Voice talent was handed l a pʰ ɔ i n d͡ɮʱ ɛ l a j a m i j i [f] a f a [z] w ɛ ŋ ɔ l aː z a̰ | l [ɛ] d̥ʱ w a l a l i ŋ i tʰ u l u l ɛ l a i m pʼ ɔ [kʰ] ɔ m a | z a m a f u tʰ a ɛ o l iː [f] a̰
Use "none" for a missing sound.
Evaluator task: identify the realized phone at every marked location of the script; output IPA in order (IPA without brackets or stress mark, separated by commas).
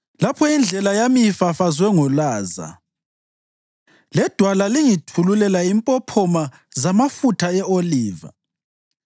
f, z, ɛ, pʰ, v